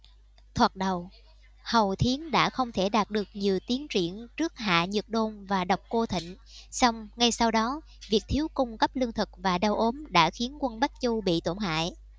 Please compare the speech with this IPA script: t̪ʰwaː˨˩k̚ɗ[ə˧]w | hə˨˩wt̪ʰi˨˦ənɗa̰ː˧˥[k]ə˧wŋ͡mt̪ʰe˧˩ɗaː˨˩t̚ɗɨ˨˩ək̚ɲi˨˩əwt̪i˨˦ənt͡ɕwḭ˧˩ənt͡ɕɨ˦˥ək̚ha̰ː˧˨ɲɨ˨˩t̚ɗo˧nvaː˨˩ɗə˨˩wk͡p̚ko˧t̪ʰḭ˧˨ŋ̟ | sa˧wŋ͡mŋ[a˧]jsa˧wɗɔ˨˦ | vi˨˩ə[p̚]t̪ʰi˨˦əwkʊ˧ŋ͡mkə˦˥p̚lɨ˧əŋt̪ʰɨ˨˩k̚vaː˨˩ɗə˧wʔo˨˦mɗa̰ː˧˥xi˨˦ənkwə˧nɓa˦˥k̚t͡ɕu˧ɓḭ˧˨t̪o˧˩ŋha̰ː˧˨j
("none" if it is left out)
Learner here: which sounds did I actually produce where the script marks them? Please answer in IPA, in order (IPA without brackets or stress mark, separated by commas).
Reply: ə˨˩, x, a˧, k̚